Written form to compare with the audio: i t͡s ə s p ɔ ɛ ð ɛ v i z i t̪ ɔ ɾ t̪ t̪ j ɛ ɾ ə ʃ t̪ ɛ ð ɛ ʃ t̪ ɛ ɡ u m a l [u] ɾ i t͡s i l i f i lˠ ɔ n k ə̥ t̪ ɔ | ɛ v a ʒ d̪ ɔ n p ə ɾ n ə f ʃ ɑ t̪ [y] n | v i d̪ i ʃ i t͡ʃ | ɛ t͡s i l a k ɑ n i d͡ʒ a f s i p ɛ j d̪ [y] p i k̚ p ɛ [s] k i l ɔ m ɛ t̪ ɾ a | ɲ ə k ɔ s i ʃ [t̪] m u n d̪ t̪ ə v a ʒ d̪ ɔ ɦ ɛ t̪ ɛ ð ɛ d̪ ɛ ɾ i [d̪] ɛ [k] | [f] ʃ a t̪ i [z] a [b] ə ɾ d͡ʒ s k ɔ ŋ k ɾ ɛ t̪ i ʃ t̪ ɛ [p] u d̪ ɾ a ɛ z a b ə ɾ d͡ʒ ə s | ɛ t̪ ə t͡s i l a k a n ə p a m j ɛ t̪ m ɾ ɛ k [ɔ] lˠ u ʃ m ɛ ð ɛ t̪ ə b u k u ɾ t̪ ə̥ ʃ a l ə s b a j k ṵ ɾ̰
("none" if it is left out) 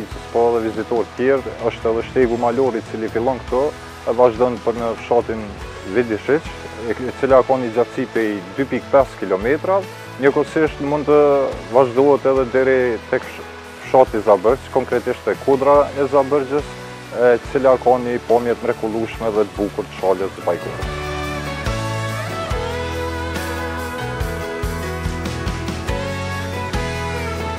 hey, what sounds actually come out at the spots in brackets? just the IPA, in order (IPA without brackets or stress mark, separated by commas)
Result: ɔ, i, y, s, t̪, t̪, k, f, z, b, k, u